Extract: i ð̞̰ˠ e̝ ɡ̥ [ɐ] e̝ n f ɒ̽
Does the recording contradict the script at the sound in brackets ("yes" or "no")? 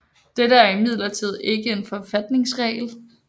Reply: yes